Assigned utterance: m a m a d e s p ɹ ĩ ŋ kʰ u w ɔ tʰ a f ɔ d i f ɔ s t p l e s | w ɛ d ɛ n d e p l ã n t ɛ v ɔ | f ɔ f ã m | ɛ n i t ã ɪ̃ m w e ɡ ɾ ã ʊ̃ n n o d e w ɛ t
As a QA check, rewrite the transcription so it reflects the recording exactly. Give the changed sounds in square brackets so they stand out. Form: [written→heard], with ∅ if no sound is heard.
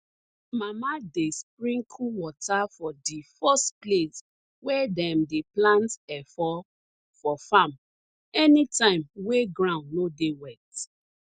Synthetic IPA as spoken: m a m a d e s p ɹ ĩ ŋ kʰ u w ɔ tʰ a f ɔ d i f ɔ s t p l e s | w ɛ d ɛ [n→m] d e p l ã n t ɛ [v→f] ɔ | f ɔ f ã m | ɛ n i t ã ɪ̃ m w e ɡ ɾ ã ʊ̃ n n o d e w ɛ t